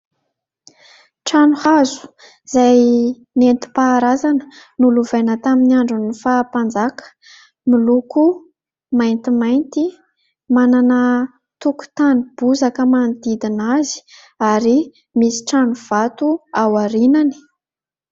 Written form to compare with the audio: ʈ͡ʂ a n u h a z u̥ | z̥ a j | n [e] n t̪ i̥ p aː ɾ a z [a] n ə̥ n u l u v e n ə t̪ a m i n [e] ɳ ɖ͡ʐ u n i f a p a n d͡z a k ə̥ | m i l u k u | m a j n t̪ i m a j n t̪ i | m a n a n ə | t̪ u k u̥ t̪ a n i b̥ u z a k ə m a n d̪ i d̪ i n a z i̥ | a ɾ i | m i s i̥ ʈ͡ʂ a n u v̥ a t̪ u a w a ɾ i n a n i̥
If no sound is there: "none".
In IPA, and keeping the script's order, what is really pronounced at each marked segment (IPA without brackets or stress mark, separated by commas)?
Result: e, a, a